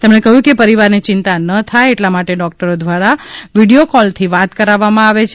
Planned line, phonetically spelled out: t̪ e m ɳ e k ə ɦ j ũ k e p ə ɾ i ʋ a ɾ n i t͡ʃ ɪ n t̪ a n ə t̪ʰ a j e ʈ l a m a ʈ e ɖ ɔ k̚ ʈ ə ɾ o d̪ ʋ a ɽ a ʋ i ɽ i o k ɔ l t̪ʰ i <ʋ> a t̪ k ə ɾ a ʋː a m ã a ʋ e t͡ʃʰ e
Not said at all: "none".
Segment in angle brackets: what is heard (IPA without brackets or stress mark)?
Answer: ʋ